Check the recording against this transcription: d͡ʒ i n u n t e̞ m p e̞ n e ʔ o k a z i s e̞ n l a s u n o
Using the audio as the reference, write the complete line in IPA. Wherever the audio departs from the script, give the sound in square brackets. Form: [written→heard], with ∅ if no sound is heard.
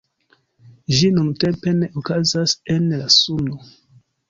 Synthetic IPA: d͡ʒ i n u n t e̞ m p e̞ n e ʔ o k a z [i→a] s e̞ n l a s u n o